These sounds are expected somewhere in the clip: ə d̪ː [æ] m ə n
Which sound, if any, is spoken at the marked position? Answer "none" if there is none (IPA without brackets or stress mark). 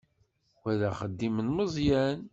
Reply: i